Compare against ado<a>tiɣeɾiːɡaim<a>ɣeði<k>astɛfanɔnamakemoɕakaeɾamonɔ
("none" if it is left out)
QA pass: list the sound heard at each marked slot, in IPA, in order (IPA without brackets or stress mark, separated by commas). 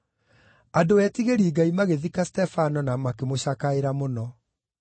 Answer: ɛ, a, k